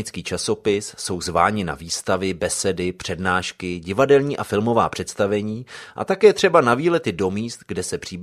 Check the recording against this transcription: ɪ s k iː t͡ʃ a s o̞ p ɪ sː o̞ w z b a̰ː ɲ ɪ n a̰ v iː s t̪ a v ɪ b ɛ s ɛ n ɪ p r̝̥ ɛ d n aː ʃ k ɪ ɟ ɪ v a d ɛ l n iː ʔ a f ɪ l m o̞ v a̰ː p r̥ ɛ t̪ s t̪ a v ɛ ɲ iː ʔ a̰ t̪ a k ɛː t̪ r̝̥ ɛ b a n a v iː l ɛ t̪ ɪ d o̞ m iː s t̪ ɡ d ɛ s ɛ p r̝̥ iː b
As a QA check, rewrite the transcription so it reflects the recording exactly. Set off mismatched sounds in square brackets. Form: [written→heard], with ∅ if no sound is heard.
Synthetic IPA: ɪ [s→t͡s] k iː t͡ʃ a s o̞ p ɪ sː o̞ w z [b→v] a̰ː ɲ ɪ n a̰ v iː s t̪ a v ɪ b ɛ s ɛ [n→d] ɪ p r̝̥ ɛ d n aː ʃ k ɪ ɟ ɪ v a d ɛ l [n→ɲ] iː ʔ a f ɪ l m o̞ v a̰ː p r̥ ɛ t̪ s t̪ a v ɛ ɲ iː ʔ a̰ t̪ a k ɛː t̪ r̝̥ ɛ b a n a v iː l ɛ t̪ ɪ d o̞ m iː s t̪ ɡ d ɛ s ɛ p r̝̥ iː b